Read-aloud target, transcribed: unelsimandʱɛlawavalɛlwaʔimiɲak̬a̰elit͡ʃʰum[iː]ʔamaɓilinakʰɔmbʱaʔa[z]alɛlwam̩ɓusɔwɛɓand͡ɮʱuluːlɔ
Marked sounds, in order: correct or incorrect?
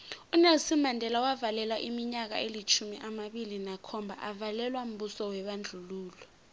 incorrect, incorrect

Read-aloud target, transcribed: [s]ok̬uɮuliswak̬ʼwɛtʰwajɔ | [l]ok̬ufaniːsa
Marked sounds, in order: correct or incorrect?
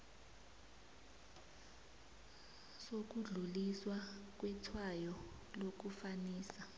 correct, correct

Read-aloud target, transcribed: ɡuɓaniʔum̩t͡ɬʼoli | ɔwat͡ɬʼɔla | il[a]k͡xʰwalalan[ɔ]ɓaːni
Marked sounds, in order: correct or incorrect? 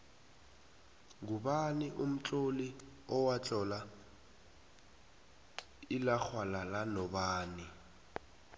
correct, correct

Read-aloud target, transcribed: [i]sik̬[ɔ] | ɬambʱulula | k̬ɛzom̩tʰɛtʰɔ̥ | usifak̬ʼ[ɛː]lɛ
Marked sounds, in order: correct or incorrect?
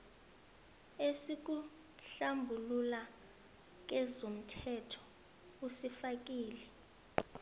incorrect, incorrect, incorrect

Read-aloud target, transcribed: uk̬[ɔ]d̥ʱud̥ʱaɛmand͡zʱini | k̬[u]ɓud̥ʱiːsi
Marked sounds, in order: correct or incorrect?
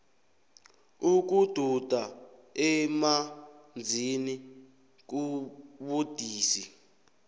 incorrect, correct

